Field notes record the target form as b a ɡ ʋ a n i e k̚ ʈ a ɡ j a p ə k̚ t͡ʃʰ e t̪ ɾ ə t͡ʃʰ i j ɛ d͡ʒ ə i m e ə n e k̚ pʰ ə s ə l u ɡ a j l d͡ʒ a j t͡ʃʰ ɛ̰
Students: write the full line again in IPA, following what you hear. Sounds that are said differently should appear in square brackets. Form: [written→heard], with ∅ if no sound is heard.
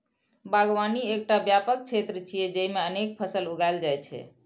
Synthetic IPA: b a ɡ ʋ a n i e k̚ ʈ a [ɡ→b] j a p ə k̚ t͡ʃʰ e t̪ ɾ ə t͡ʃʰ i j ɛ d͡ʒ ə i m e ə n e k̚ pʰ ə s ə l u ɡ a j l d͡ʒ a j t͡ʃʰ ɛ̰